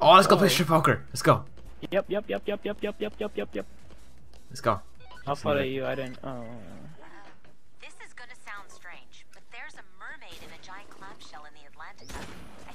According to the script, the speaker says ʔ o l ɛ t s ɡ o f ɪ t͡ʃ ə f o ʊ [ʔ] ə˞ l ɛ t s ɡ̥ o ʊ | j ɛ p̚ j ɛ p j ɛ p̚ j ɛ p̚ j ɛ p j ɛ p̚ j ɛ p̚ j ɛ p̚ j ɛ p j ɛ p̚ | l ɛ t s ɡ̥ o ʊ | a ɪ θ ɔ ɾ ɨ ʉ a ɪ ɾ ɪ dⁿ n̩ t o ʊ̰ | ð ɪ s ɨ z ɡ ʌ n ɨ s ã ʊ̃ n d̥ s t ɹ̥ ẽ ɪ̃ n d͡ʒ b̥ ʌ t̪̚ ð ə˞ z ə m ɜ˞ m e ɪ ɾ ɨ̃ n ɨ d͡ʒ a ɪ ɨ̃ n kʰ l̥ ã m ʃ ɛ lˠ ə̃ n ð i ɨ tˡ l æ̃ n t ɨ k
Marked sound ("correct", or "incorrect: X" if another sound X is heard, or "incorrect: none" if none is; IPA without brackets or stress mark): incorrect: k